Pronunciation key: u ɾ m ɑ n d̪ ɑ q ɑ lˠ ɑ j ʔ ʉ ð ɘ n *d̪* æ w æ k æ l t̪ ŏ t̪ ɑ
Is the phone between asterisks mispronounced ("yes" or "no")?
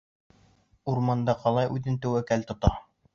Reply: yes